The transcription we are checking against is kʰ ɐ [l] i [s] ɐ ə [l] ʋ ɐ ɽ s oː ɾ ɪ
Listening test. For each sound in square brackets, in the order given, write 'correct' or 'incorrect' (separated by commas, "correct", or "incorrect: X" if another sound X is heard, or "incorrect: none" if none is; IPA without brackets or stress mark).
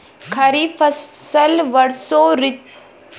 incorrect: ɾ, incorrect: f, correct